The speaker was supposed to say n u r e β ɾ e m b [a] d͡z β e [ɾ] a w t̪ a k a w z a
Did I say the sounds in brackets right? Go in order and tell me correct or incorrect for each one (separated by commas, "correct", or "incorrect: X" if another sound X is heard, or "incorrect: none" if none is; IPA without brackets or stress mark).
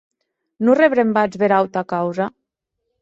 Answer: correct, correct